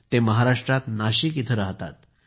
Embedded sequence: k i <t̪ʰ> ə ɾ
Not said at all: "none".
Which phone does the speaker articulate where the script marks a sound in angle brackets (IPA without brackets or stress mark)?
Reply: t̪ʰ